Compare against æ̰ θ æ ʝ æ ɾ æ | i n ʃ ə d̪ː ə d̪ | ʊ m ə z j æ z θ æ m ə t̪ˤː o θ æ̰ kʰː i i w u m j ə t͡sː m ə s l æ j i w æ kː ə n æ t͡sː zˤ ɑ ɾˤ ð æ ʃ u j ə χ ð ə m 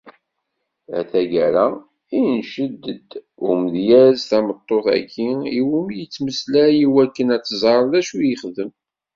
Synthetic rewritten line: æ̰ θ æ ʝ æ ɾ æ | i n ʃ ə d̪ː ə d̪ | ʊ m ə ð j æ z θ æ m ə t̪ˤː o θ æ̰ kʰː i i w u m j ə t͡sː m ə s l æ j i w æ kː ə n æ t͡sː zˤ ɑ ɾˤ ð æ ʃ u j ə χ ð ə m